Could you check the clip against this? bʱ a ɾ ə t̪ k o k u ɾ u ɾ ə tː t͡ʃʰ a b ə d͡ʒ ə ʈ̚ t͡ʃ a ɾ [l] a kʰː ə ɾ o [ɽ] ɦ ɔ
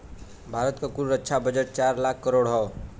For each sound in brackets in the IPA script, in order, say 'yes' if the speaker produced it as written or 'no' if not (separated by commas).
yes, yes